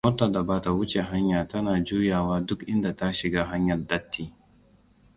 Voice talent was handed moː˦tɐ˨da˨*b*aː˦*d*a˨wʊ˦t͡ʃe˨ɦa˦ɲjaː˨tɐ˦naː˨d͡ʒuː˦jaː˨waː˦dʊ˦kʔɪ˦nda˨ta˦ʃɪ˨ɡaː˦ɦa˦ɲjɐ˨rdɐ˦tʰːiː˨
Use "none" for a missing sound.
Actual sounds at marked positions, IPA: b, t

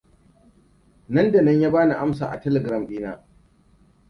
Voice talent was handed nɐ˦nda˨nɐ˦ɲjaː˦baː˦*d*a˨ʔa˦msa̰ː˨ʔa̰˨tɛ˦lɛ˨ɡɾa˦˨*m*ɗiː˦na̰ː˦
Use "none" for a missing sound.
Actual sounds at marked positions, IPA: n, m

